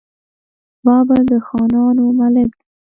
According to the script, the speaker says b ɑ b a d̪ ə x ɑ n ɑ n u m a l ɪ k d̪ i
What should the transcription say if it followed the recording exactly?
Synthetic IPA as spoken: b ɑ b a d̪ ə x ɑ n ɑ n o m a l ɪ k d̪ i